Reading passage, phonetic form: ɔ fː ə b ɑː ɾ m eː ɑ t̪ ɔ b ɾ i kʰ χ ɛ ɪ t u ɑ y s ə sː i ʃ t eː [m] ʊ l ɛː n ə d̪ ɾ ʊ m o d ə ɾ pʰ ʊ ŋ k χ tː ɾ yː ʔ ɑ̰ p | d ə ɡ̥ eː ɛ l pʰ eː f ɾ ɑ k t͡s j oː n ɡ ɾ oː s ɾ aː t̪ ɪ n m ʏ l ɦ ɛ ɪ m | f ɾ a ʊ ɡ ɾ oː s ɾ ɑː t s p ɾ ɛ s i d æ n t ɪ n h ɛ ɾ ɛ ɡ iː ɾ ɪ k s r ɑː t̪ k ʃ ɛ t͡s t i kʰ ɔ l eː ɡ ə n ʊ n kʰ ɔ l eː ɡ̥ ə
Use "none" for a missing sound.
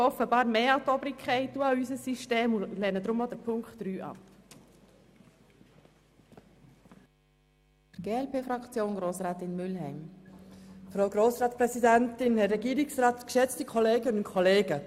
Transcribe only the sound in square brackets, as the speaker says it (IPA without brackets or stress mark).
m